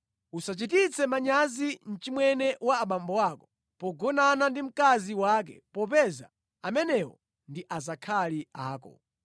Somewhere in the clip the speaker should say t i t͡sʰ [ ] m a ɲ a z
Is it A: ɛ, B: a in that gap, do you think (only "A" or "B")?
A